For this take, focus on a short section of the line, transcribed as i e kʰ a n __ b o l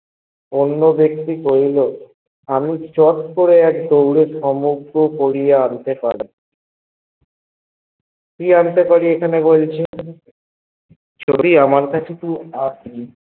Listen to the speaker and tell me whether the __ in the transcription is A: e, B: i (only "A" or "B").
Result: A